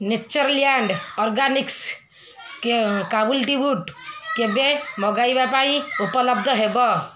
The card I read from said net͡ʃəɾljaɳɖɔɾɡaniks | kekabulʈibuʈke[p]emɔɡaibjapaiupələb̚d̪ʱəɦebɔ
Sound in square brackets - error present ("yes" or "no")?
yes